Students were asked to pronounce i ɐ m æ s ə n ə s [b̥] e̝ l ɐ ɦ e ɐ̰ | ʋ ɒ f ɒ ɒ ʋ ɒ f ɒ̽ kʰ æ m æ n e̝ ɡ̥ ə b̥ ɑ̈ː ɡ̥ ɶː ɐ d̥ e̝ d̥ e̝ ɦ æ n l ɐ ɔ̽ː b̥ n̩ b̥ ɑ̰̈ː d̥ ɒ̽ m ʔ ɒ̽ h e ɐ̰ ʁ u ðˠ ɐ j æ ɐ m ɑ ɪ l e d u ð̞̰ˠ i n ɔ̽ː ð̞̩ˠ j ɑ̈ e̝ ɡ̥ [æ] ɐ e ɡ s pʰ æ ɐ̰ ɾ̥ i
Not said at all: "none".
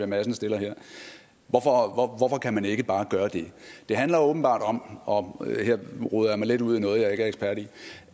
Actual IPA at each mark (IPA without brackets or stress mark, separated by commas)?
d̥, æ